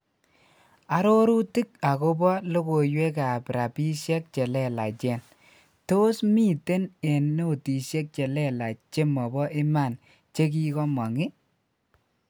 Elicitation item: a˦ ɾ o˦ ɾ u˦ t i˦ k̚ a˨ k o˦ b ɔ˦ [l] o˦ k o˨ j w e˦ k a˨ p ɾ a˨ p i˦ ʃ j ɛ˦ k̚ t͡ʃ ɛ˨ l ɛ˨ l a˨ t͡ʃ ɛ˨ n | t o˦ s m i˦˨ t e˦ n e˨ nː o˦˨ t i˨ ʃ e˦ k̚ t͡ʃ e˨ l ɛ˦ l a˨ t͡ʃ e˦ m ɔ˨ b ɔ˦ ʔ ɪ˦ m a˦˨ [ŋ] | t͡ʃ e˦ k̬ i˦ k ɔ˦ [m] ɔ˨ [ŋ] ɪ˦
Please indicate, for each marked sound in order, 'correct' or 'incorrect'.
correct, incorrect: n, correct, correct

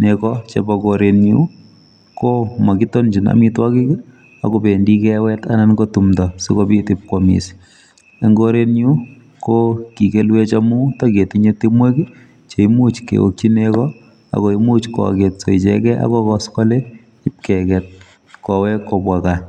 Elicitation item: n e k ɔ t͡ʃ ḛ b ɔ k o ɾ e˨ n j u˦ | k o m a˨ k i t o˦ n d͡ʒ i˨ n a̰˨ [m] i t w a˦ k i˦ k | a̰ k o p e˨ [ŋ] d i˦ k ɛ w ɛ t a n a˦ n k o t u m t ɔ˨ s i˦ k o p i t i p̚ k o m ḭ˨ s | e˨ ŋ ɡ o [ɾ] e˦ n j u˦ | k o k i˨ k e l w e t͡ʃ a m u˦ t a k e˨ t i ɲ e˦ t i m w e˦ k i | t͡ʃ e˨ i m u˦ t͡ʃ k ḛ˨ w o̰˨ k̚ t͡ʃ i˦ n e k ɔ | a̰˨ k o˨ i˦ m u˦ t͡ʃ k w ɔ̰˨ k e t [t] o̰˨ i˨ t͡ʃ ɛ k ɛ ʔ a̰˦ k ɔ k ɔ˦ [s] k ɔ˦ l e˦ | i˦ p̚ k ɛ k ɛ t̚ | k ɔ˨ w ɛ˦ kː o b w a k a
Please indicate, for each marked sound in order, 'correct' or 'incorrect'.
correct, incorrect: n, correct, incorrect: s, correct

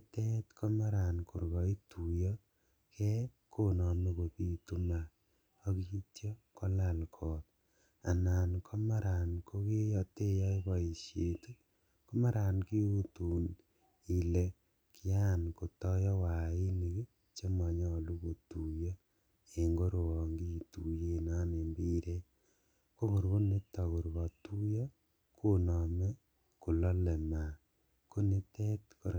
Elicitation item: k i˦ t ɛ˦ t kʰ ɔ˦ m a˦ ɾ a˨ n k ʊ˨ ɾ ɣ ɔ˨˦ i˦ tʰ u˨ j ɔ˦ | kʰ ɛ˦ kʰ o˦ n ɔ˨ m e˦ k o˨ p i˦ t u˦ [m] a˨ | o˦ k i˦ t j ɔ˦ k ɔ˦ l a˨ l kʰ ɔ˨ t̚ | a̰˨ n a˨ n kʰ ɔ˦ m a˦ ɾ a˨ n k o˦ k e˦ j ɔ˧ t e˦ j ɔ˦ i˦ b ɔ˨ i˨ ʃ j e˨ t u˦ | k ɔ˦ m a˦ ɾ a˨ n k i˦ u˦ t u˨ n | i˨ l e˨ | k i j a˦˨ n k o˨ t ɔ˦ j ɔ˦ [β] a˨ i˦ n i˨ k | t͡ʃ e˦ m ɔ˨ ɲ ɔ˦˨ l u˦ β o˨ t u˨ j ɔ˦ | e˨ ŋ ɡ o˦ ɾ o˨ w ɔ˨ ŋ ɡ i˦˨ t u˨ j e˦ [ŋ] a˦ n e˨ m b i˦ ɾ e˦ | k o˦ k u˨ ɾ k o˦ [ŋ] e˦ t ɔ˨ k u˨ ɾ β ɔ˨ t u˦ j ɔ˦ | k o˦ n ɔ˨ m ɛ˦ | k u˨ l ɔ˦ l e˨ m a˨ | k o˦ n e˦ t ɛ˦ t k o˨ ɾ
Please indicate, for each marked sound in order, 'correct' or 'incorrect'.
correct, incorrect: w, incorrect: n, incorrect: n

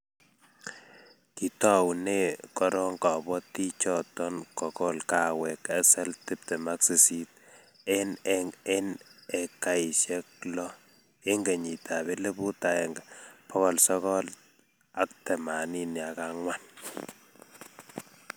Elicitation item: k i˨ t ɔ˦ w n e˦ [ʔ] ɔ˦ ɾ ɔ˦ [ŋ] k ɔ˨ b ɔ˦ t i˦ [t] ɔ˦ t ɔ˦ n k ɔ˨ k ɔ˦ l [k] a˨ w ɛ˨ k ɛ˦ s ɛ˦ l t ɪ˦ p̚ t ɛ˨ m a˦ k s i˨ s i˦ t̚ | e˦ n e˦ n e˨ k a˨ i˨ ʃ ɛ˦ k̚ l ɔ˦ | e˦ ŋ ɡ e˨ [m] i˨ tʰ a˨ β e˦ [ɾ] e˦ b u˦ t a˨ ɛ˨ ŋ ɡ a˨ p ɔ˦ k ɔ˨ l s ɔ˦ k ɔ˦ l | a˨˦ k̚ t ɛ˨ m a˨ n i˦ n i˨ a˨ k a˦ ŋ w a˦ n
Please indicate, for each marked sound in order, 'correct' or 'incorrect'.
incorrect: k, correct, incorrect: t͡ʃ, correct, incorrect: ɲ, incorrect: l

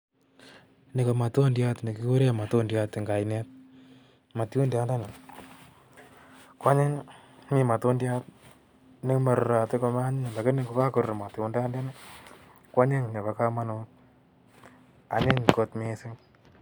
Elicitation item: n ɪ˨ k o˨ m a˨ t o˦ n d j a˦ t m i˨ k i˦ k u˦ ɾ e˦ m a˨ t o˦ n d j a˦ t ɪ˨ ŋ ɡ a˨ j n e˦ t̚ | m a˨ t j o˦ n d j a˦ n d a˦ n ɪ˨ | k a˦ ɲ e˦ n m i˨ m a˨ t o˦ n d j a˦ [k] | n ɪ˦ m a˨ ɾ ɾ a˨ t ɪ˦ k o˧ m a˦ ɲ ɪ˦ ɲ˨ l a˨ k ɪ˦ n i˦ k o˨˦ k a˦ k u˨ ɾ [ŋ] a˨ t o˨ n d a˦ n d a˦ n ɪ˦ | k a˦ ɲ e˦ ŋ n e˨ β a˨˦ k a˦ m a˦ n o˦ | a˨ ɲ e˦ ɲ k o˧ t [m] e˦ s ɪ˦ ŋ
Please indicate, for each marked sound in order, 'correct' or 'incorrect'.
incorrect: t, incorrect: m, correct

